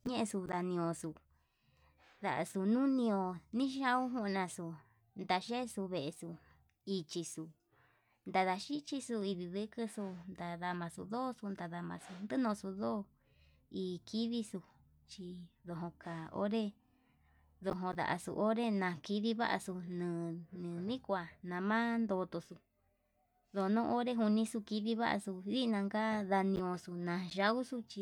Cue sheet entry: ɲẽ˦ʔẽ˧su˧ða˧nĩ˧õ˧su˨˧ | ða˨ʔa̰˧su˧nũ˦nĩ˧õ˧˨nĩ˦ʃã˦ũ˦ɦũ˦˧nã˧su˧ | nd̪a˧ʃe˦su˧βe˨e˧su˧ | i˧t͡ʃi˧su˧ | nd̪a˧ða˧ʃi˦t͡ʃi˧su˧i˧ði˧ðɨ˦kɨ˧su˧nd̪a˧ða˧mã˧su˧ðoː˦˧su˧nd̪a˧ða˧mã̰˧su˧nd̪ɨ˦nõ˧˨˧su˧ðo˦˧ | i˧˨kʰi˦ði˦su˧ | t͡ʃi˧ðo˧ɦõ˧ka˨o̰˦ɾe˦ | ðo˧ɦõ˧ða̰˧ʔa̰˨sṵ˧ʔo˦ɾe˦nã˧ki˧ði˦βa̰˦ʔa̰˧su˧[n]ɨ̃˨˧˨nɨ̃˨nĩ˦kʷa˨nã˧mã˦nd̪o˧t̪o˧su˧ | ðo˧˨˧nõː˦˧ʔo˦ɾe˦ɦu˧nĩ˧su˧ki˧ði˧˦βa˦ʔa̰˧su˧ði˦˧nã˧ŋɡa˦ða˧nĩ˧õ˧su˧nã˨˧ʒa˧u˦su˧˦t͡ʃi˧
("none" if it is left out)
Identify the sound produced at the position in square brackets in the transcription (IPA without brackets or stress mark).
n